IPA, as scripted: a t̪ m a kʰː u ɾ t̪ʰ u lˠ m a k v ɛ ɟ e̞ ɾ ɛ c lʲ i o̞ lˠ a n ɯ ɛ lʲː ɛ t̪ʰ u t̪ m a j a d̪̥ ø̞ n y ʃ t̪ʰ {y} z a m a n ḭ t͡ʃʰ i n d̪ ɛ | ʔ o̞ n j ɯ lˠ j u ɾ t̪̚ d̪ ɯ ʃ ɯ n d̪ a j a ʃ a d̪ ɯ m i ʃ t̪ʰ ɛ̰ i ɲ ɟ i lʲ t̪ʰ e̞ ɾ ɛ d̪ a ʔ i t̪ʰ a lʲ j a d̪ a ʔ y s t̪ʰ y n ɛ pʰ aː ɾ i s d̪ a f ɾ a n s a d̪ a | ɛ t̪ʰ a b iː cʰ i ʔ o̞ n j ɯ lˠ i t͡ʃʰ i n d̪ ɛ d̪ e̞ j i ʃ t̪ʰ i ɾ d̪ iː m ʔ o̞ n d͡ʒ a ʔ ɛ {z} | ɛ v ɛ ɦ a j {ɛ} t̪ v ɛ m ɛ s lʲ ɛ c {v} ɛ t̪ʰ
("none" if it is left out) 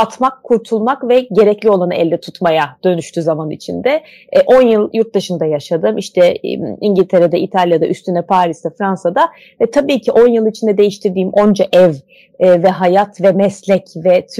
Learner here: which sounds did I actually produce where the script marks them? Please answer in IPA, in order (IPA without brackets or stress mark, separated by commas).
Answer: y, v, a, v